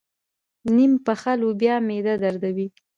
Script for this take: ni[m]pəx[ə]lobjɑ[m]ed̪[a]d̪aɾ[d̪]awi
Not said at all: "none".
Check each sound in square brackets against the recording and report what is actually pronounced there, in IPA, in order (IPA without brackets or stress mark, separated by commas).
m, a, m, a, d̪